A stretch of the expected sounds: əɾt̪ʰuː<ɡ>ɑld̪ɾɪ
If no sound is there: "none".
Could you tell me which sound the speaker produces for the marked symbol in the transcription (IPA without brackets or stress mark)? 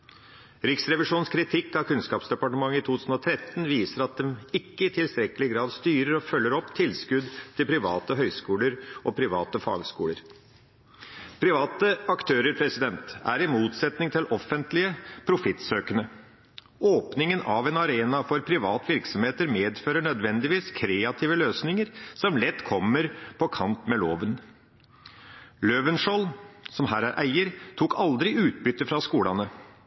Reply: k